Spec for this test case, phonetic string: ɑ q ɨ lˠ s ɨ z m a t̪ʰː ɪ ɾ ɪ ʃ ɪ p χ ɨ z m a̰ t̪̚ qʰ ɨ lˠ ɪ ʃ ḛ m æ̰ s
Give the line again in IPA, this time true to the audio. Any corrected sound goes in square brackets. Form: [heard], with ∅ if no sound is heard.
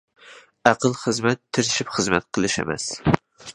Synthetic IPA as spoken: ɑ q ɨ lˠ [χ] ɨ z m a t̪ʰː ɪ ɾ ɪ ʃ ɪ p χ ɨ z m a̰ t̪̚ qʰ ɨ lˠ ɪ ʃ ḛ m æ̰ s